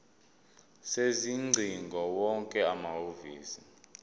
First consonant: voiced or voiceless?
voiceless